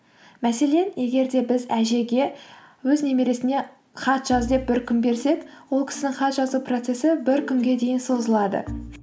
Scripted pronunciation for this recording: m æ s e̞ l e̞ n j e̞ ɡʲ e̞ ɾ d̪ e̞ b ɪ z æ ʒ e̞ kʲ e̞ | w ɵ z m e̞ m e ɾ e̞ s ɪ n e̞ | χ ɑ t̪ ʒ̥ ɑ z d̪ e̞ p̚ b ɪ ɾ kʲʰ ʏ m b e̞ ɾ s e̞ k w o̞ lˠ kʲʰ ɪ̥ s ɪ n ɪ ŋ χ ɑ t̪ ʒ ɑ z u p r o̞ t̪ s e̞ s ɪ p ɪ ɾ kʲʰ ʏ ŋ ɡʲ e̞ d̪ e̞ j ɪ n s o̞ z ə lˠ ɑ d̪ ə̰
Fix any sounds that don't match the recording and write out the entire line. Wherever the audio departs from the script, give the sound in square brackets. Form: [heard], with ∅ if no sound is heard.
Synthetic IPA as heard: m æ s e̞ l e̞ n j e̞ ɡʲ e̞ ɾ d̪ e̞ b ɪ z æ ʒ e̞ [ɡʲ] e̞ | w ɵ z [n] e̞ m e ɾ e̞ s ɪ n e̞ | χ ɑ t̪ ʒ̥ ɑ z d̪ e̞ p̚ b ɪ ɾ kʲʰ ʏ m b e̞ ɾ s e̞ k w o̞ lˠ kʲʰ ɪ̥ s ɪ n ɪ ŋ χ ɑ t̪ ʒ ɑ z u p r o̞ t̪ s e̞ s ɪ [b] ɪ ɾ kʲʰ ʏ ŋ ɡʲ e̞ d̪ e̞ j ɪ n s o̞ z ə lˠ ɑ d̪ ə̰